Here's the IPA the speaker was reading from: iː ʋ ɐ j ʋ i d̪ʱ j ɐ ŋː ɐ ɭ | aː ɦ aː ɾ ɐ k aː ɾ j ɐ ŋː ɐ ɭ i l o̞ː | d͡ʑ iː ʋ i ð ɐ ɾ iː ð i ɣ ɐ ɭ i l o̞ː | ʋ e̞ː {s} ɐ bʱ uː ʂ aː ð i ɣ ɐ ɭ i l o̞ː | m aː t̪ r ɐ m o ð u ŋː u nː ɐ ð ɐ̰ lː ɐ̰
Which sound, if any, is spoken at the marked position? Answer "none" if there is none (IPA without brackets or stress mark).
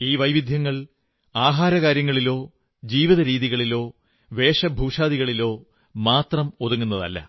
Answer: ʂ